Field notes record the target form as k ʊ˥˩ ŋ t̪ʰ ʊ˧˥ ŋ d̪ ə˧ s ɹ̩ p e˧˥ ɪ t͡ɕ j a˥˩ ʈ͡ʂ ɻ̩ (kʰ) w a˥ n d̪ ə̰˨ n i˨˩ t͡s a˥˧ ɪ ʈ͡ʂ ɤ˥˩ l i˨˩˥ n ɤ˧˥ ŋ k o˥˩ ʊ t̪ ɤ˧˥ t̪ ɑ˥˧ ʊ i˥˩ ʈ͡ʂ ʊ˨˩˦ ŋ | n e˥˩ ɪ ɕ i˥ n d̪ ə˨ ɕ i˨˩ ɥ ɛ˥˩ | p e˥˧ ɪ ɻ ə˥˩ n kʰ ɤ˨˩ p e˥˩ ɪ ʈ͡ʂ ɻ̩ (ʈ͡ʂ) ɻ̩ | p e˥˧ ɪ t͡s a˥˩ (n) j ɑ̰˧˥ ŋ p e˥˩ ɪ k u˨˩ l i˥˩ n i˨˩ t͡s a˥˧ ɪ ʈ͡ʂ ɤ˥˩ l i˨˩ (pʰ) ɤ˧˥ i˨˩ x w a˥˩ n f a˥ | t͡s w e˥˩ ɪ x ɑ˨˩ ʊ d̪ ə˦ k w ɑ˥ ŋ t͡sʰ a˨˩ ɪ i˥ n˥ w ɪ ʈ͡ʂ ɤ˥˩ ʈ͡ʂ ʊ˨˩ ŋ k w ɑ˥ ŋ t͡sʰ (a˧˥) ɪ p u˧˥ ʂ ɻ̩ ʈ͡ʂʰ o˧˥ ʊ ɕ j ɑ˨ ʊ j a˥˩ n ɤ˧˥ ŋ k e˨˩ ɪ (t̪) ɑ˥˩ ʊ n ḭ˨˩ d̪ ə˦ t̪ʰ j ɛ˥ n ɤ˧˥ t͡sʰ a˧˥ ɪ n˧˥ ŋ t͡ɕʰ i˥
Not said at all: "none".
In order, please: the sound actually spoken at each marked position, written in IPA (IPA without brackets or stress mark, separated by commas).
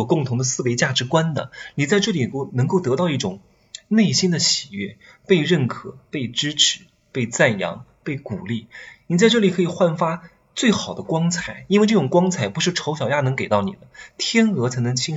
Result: k, ʈ͡ʂʰ, n, kʰ, a˨˩, t̪